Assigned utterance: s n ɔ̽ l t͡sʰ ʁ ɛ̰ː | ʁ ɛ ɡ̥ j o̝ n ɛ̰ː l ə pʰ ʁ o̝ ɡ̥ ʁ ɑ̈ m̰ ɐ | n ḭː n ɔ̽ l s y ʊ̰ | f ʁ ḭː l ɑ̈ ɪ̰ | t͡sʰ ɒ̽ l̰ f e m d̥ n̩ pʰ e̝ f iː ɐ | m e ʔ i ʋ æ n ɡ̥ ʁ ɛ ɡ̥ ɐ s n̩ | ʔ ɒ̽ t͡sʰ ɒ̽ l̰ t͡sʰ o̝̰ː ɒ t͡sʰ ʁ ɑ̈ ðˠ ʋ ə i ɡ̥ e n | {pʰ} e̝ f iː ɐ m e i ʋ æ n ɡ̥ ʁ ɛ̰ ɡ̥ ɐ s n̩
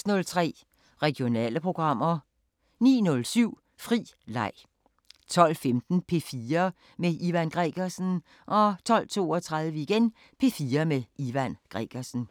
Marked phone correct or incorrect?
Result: correct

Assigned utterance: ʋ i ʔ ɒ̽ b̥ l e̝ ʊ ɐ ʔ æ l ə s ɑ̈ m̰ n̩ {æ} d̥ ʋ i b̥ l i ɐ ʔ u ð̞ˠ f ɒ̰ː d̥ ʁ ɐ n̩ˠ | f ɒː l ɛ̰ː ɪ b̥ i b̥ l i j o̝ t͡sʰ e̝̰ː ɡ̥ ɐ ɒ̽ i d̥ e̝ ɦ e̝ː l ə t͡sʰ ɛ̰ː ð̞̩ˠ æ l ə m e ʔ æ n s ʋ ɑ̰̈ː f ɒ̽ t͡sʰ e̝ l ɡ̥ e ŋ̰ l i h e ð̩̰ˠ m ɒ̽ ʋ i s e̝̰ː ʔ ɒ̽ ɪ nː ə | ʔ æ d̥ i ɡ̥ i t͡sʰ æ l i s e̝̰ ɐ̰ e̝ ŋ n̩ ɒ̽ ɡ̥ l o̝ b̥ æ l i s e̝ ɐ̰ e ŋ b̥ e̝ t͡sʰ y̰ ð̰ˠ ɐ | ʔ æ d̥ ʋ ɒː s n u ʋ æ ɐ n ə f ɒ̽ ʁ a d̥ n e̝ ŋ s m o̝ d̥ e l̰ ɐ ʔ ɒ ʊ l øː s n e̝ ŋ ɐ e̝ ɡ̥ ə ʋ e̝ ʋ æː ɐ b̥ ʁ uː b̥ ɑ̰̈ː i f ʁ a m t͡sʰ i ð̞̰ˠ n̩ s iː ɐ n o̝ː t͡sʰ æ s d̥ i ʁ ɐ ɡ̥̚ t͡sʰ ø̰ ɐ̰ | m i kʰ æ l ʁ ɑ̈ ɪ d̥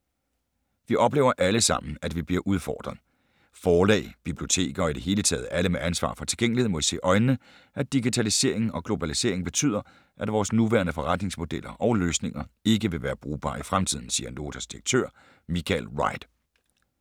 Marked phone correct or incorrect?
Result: correct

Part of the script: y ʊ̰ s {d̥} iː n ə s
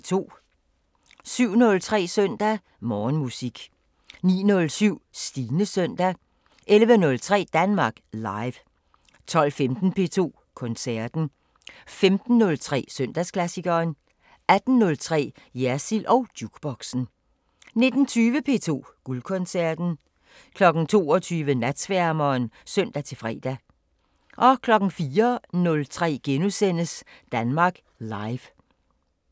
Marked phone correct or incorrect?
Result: correct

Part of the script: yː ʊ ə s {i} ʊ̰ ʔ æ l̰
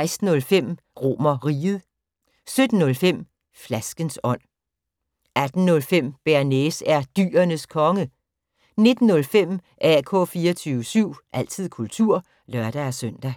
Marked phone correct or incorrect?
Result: incorrect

